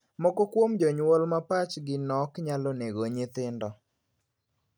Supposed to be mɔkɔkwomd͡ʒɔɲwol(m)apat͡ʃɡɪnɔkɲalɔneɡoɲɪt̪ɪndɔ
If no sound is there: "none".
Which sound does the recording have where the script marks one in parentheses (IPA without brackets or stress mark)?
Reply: m